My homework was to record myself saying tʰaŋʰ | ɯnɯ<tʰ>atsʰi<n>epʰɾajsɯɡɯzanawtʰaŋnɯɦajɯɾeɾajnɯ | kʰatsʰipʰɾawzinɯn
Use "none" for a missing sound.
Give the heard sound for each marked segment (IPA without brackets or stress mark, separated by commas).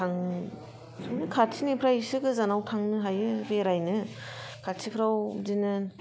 kʰ, n